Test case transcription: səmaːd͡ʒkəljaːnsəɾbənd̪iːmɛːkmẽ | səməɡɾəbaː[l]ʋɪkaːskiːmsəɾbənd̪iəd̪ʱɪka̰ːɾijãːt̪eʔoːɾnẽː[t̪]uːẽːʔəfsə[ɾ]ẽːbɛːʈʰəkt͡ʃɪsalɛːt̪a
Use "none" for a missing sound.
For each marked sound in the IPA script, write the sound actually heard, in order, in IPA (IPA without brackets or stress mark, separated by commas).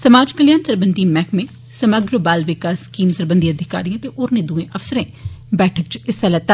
l, d̪, ɾ